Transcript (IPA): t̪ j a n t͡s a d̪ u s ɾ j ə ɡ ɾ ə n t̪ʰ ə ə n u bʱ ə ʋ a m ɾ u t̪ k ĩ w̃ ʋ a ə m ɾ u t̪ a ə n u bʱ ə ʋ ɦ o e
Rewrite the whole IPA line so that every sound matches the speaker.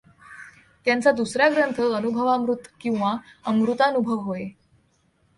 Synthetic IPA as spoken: t̪ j a n t͡s a d̪ u s ɾ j a ɡ ɾ ə n t̪ʰ ə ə n u bʱ ə ʋ a m ɾ u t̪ k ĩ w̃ ʋ a ə m ɾ u t̪ a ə n u bʱ ə ʋ ɦ o e